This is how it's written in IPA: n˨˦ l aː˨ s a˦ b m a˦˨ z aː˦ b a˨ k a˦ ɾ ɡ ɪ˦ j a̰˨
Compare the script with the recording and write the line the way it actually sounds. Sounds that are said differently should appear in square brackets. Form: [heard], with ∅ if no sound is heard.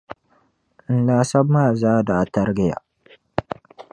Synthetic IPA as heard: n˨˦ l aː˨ s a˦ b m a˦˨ z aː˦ [d] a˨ [t] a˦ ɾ ɡ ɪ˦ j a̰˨